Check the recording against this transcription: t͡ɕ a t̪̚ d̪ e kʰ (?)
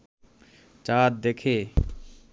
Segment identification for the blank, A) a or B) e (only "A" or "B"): B